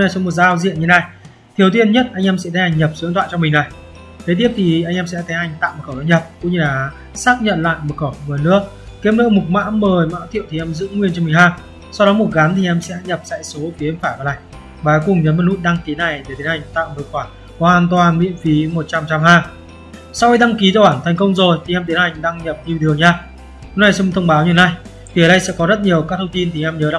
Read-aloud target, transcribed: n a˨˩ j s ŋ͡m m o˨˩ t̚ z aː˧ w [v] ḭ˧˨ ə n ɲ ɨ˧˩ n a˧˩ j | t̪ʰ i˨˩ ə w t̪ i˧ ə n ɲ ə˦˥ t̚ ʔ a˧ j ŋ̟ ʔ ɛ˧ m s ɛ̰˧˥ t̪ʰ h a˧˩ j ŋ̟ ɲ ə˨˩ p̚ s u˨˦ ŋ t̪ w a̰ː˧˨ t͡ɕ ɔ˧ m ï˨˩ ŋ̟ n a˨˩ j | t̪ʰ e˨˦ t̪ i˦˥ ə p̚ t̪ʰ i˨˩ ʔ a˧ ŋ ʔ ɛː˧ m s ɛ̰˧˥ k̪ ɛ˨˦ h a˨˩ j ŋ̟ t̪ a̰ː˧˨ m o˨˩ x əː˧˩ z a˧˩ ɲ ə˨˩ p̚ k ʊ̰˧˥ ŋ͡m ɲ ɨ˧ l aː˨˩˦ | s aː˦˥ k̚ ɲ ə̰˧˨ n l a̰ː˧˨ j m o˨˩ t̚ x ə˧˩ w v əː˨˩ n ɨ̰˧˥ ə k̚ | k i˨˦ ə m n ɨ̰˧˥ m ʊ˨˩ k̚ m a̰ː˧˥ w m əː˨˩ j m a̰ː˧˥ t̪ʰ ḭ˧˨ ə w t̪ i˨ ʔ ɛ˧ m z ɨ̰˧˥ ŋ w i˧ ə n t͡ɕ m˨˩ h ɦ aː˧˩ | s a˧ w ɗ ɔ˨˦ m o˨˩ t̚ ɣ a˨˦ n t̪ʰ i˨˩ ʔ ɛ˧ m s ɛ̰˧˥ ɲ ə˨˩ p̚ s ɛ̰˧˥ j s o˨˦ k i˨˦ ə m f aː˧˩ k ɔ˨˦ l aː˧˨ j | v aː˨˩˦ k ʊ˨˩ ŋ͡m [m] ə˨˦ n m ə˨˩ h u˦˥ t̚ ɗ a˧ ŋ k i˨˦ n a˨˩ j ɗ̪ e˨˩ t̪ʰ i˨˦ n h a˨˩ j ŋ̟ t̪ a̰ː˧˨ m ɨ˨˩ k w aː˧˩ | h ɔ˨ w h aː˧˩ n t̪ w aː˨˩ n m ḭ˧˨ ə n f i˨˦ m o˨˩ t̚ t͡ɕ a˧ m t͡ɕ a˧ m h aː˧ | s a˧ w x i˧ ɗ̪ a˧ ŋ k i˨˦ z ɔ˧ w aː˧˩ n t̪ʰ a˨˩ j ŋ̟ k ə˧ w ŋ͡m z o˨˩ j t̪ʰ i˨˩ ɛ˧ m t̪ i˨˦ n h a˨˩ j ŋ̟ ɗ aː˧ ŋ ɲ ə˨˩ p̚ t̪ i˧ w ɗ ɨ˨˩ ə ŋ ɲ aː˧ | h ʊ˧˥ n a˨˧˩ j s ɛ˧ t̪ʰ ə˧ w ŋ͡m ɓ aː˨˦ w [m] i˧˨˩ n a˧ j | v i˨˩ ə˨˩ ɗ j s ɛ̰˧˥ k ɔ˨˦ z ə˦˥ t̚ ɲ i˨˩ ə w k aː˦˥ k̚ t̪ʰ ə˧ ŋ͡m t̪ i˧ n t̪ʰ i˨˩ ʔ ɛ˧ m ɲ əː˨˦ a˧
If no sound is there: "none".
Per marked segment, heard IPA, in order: z, ɲ, ɲ

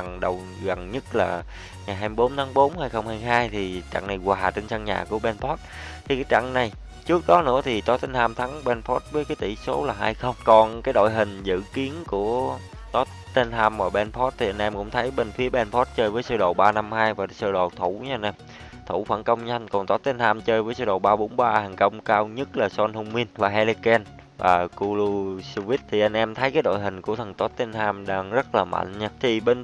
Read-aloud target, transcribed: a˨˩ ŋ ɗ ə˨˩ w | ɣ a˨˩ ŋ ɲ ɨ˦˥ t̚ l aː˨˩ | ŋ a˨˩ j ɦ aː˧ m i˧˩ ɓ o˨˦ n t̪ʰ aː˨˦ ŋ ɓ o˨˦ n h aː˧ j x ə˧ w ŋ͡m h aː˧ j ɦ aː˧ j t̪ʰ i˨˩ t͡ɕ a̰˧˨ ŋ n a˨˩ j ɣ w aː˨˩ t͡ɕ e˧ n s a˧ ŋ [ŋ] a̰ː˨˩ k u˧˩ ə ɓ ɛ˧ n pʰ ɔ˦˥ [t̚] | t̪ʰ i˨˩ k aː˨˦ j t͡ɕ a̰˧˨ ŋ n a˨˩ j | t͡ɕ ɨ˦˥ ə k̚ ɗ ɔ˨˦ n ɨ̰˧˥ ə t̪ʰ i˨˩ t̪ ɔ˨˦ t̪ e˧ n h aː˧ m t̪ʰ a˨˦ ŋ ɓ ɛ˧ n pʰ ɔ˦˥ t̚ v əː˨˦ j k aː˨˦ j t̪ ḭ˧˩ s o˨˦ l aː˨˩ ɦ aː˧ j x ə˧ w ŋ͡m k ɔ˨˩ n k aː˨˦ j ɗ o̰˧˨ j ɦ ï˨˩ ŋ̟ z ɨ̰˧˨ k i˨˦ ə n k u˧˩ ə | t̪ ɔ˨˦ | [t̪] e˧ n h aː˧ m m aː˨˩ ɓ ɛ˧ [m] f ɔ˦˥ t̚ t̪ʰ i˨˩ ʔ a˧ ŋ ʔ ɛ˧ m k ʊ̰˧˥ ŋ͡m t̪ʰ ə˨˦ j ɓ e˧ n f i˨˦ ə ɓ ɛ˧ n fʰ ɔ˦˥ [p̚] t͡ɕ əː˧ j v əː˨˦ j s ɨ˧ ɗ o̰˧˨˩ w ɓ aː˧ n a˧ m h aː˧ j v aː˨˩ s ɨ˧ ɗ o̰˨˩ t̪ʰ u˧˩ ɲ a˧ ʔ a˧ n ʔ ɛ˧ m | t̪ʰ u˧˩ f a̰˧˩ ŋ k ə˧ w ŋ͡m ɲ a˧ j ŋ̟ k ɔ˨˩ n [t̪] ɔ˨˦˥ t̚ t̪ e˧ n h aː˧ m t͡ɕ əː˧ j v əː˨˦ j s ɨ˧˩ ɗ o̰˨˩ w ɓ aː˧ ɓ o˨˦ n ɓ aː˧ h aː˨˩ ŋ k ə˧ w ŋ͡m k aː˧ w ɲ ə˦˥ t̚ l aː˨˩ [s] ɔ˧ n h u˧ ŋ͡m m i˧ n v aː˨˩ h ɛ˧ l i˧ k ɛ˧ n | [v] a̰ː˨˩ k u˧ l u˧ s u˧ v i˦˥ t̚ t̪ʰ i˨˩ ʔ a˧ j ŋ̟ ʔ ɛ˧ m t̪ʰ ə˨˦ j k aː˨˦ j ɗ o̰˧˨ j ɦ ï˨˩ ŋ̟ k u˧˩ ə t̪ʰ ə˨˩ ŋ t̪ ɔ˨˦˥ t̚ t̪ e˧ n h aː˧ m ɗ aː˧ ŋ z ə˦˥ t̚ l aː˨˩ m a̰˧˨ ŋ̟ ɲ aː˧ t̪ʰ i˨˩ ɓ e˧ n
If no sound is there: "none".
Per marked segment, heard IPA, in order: ɲ, t̚, t̪, n, t̚, t̪, s, v

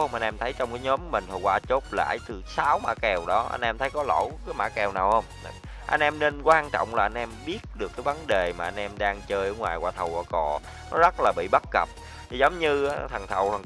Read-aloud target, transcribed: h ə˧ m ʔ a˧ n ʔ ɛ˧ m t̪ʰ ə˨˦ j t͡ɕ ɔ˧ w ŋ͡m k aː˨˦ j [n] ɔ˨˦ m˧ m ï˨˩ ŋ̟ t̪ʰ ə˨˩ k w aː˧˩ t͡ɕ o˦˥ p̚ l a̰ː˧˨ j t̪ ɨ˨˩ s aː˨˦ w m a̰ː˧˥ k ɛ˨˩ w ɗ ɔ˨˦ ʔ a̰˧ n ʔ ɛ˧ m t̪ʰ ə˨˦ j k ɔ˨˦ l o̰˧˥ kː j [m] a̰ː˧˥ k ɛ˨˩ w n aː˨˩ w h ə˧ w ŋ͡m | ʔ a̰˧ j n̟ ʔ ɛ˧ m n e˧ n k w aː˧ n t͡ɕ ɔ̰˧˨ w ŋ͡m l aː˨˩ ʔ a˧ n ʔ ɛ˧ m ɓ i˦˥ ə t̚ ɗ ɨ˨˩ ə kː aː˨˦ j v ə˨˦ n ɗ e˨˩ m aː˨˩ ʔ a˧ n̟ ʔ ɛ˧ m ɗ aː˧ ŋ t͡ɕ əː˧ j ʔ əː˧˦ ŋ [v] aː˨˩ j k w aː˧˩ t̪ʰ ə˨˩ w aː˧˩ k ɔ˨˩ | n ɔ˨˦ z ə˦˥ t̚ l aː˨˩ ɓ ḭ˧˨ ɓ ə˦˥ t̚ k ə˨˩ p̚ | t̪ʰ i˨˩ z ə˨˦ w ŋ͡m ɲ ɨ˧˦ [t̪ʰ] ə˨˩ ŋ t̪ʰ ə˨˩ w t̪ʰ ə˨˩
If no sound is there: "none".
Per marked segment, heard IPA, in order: ɲ, m, w, t̪ʰ

